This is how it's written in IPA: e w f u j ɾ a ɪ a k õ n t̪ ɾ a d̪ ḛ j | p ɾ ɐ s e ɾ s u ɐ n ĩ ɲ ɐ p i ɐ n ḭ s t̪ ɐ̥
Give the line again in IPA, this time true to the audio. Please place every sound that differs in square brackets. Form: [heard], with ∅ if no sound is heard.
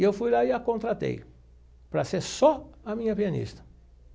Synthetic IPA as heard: e w f u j [l] a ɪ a k õ n t̪ ɾ a [t̪] ḛ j | p ɾ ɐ s e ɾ s [ɔ] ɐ [m] ĩ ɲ ɐ p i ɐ n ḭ s t̪ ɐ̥